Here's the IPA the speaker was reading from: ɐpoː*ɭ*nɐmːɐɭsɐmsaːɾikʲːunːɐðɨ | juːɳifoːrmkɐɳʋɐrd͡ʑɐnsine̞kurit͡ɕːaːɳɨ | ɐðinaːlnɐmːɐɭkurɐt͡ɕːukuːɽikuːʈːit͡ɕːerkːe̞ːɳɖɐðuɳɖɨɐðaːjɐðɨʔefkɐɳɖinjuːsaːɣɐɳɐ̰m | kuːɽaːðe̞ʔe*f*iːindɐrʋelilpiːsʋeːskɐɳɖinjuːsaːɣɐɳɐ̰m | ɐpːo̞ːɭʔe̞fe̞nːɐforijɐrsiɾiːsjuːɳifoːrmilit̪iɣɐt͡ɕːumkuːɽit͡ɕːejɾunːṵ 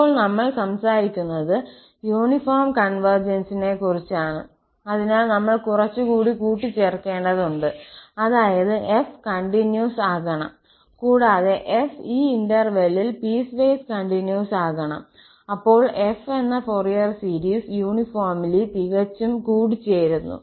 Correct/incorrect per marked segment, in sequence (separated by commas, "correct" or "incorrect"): correct, correct